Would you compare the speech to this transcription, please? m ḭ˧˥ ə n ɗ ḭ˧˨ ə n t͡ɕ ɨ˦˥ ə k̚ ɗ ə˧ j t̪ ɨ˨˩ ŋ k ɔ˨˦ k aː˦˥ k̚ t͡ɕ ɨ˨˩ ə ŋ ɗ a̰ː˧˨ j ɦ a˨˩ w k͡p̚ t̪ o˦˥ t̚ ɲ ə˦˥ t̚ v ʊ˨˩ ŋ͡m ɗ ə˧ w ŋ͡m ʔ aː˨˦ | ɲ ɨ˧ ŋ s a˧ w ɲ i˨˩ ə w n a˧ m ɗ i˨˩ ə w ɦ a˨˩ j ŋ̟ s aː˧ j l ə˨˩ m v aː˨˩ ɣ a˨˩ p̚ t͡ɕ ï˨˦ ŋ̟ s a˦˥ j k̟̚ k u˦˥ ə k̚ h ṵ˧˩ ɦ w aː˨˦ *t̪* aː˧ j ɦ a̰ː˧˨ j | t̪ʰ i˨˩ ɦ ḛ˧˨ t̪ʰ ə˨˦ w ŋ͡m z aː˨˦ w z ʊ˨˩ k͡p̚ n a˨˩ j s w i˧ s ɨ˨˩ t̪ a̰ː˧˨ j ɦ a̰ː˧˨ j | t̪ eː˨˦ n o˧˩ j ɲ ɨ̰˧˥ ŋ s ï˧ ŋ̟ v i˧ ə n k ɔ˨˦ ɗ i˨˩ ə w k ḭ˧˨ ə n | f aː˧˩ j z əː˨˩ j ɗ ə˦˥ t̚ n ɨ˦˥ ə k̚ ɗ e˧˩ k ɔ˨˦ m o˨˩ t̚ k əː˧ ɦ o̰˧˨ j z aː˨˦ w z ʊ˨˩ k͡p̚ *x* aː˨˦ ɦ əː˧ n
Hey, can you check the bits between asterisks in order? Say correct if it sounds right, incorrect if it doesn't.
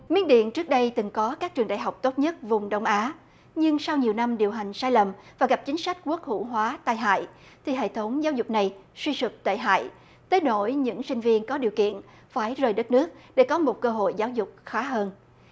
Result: correct, correct

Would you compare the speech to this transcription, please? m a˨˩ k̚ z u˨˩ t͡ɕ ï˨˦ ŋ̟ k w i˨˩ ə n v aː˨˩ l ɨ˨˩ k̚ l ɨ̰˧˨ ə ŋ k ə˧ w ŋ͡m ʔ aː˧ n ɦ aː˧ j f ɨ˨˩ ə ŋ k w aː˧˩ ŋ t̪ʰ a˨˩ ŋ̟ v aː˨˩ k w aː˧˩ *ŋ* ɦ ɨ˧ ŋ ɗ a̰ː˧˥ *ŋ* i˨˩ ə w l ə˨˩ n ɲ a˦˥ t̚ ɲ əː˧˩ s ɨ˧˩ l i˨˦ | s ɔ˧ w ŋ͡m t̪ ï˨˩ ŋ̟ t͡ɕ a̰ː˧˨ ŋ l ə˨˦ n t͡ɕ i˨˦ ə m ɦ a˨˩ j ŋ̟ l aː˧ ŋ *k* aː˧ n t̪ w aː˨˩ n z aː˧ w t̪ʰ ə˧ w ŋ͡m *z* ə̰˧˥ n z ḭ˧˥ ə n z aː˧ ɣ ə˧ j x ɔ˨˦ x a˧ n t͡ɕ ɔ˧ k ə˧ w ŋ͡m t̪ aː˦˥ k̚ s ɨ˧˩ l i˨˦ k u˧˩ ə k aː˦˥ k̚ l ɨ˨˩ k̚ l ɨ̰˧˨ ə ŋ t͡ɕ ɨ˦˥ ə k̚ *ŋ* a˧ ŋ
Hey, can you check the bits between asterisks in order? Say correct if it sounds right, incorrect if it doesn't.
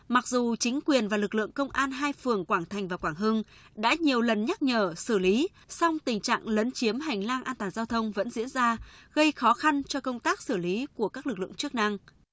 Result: correct, incorrect: ɲ, incorrect: ʔ, incorrect: v, incorrect: n

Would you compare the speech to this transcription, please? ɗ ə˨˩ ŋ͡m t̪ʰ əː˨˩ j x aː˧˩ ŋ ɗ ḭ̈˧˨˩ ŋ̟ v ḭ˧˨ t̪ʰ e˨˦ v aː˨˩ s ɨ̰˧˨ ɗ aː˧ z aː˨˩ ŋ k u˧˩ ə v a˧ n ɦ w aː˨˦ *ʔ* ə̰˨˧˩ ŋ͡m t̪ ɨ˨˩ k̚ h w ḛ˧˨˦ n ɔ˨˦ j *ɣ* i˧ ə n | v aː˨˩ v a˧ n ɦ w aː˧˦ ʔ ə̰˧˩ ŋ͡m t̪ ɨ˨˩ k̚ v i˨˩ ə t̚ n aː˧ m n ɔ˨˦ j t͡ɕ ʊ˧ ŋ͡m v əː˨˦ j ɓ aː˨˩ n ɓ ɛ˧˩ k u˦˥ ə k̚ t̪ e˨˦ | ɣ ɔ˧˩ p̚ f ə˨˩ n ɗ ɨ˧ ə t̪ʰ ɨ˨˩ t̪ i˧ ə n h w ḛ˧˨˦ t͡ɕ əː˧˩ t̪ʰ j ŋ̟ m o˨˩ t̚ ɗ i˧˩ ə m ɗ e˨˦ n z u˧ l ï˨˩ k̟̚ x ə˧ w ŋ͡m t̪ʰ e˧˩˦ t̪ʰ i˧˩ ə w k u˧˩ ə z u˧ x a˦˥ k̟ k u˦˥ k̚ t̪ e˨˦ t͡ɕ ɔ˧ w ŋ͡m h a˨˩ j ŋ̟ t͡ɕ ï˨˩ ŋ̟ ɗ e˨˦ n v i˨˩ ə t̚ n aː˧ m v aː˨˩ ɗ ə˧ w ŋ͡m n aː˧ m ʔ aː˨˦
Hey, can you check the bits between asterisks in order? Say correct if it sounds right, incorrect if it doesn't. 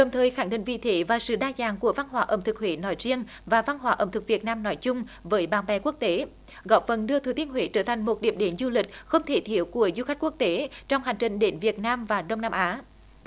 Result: correct, incorrect: z

